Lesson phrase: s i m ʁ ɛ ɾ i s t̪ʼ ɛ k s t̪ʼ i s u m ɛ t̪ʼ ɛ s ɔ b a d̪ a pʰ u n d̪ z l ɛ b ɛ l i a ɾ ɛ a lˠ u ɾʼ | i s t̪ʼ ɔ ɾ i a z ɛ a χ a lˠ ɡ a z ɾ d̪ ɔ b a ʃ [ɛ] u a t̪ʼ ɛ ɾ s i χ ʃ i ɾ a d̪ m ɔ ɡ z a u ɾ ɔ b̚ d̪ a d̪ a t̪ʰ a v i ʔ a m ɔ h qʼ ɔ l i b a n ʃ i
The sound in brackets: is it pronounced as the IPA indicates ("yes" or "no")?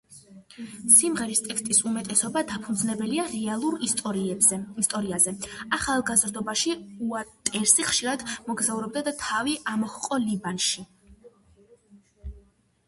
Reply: no